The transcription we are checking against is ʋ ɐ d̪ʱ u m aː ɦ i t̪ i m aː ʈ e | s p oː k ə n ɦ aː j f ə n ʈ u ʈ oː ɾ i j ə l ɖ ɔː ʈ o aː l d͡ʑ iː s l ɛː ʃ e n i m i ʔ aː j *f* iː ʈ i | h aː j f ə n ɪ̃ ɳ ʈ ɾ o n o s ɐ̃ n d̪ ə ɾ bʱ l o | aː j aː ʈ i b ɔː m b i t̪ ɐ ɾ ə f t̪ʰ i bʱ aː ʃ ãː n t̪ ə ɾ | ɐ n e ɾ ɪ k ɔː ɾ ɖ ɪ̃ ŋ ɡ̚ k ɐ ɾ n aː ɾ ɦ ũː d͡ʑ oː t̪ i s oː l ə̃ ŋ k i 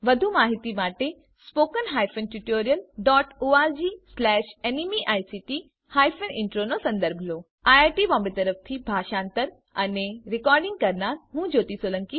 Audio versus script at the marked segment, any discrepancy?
yes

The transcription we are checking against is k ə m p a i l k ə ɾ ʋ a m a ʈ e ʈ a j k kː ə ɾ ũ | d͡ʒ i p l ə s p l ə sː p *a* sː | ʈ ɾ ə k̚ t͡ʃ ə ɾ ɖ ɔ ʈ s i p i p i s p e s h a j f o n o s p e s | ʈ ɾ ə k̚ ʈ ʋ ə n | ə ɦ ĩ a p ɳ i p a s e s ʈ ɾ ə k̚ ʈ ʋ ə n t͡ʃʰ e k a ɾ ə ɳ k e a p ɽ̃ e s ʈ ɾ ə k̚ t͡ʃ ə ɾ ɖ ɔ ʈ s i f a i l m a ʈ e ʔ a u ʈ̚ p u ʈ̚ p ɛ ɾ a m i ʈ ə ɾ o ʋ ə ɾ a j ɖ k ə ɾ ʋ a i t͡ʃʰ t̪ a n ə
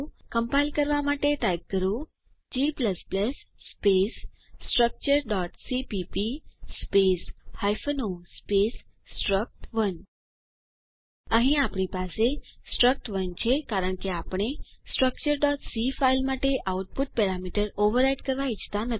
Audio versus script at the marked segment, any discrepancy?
yes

